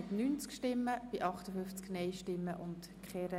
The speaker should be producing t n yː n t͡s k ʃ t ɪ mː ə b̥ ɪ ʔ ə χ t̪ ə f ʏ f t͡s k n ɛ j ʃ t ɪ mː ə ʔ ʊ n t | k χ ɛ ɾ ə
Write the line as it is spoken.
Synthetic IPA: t n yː n t͡s k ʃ t ɪ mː ə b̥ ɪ ʔ ɑ χ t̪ ə f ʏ f t͡s k n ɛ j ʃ t ɪ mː ə ʔ ʊ n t | k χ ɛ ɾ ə